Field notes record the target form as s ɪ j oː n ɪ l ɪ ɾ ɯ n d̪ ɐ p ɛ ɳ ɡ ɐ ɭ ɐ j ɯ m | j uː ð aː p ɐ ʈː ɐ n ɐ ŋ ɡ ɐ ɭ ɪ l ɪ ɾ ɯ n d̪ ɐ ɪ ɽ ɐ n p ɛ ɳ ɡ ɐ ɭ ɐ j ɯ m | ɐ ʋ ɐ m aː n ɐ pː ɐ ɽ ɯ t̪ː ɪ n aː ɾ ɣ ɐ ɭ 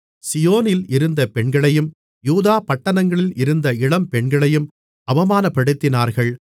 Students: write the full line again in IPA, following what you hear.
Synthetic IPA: s ɪ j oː n ɪ l ɪ ɾ ɯ n d̪ ɐ p ɛ ɳ ɡ ɐ ɭ ɐ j ɯ m | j uː ð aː p ɐ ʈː ɐ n ɐ ŋ ɡ ɐ ɭ ɪ l ɪ ɾ ɯ n d̪ ɐ ɪ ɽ ɐ m p ɛ ɳ ɡ ɐ ɭ ɐ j ɯ m | ɐ ʋ ɐ m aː n ɐ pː ɐ ɽ ɯ t̪ː ɪ n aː ɾ ɣ ɐ ɭ